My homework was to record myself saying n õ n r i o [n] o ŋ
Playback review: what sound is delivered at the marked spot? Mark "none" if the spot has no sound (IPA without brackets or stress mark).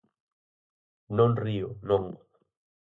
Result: n